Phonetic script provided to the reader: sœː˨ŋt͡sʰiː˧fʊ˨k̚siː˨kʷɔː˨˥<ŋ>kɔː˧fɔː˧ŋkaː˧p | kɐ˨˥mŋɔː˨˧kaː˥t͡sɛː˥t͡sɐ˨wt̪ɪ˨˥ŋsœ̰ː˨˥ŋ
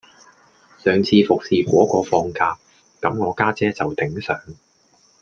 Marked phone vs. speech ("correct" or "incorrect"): incorrect